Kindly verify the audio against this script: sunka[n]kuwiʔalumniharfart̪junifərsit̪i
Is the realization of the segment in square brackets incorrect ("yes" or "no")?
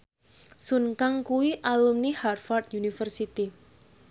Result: yes